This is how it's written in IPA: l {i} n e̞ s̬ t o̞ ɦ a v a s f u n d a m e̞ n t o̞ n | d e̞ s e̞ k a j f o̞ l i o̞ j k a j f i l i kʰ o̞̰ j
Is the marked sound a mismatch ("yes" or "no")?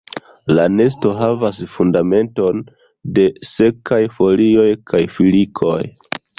yes